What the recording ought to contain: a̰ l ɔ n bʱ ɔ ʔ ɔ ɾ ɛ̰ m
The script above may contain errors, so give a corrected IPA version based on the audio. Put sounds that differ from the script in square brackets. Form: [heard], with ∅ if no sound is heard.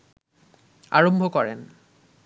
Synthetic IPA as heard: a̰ [ɹ] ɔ [m] bʱ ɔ [k] ɔ [ɹ] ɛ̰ [n]